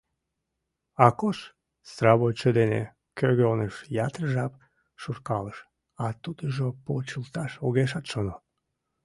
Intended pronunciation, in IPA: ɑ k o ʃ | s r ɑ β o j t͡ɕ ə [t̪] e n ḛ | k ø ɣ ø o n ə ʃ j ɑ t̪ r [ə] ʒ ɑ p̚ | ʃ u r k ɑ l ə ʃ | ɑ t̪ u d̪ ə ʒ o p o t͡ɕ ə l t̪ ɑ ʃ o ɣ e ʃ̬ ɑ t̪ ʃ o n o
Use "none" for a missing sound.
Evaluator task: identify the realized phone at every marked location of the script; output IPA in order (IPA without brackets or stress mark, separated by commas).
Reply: d̪, ə